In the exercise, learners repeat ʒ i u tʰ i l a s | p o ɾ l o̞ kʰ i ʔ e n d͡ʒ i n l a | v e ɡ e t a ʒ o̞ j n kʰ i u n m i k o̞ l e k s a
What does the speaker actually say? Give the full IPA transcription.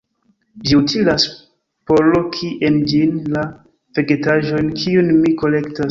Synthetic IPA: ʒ i u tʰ i l a s | p o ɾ l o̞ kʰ i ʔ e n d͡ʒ i n l a | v e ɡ e t a ʒ o̞ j n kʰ i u n m i k o̞ l e k t a